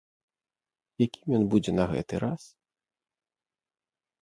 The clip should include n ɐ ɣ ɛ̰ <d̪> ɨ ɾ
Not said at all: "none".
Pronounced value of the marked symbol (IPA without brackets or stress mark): t̪